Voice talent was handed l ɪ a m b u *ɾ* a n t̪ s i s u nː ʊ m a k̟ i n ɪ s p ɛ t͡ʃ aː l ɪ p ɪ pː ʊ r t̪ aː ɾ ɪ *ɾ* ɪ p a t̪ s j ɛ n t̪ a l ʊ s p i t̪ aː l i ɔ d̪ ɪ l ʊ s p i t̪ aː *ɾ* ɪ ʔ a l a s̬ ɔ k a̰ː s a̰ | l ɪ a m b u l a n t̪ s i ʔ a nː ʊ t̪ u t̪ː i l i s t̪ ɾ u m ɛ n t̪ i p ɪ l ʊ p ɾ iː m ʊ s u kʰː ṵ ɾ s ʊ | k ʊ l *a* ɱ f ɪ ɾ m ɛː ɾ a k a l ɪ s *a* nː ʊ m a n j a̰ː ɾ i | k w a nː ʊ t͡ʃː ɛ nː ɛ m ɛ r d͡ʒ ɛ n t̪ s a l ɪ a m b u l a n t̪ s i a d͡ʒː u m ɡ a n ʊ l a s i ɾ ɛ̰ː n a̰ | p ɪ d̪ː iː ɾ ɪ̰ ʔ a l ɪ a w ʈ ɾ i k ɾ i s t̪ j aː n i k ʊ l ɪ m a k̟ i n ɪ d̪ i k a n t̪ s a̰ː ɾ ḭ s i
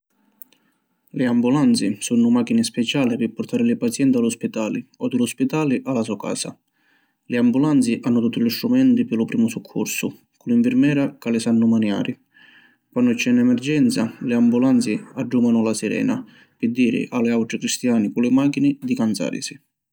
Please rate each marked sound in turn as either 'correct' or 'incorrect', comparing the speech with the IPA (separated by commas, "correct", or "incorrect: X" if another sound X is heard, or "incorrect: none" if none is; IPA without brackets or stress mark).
incorrect: l, incorrect: l, incorrect: l, incorrect: i, correct